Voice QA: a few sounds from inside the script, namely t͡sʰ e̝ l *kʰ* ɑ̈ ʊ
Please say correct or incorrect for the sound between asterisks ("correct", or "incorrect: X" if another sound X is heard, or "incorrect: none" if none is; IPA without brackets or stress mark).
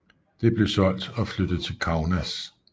correct